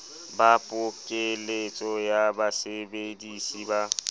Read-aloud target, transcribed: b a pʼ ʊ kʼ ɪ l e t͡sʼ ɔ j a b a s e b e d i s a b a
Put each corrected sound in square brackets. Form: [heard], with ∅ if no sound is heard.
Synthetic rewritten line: b a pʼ ʊ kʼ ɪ l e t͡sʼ ɔ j a b a s e b e d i s [i] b a